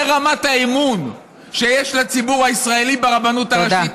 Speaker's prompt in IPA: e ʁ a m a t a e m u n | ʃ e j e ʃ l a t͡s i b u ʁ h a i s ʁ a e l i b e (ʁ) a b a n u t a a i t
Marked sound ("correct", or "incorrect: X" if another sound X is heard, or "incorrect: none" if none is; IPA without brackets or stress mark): correct